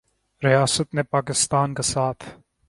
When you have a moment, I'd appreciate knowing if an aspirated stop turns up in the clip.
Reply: yes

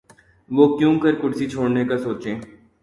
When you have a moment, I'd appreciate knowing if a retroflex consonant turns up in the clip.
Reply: yes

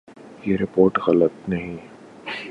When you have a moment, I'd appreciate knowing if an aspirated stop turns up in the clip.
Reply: no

